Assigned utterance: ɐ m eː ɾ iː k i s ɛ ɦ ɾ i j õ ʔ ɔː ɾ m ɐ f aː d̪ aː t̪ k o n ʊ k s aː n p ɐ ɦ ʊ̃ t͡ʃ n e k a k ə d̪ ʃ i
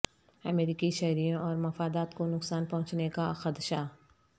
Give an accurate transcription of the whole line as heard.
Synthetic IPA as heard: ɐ m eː ɾ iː k i ʃ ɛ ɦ ɾ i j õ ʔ ɔː ɾ m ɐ f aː d̪ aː t̪ k o n ʊ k s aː n p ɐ ɦ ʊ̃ t͡ʃ n e k a x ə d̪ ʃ a